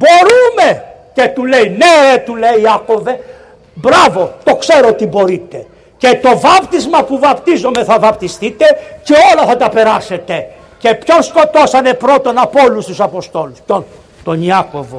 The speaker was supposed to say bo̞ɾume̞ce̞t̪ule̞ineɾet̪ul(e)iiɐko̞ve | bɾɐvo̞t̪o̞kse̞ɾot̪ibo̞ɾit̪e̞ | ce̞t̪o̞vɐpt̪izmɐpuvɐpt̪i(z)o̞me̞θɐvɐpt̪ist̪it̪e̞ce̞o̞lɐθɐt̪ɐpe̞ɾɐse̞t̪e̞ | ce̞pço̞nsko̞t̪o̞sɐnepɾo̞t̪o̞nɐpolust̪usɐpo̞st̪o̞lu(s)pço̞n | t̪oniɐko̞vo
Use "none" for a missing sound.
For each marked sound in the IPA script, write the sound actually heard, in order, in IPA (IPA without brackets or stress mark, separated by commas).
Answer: e, z, s